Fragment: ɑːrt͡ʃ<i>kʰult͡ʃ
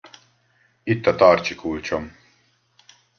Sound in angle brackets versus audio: correct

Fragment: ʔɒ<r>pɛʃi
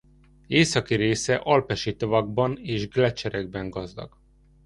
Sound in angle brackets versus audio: incorrect: l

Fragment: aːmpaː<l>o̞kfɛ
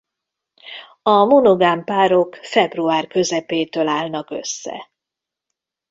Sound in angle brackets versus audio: incorrect: ɾ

